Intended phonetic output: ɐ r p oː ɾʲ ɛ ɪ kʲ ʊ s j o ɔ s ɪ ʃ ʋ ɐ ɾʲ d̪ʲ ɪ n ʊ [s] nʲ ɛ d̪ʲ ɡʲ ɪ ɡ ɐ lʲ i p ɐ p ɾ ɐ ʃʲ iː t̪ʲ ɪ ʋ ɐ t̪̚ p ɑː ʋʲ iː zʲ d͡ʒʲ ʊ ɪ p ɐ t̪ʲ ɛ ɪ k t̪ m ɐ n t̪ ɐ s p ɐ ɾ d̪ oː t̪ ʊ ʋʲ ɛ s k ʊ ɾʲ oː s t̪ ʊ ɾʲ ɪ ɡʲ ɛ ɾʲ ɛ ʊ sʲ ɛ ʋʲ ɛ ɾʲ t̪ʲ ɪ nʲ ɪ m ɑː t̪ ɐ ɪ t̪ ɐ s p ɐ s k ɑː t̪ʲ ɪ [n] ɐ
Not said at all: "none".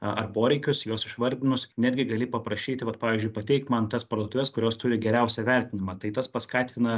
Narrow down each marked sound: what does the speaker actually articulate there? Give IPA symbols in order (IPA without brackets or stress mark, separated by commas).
s, n